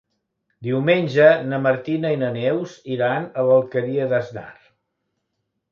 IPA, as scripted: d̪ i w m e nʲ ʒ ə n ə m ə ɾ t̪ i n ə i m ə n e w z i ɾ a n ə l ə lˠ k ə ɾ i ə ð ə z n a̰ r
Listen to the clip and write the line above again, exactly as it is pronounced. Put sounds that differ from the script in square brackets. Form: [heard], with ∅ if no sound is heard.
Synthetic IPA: d̪ i w m e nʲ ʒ ə n ə m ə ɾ t̪ i n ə i [n] ə n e w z i ɾ a n ə l ə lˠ k ə ɾ i ə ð ə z n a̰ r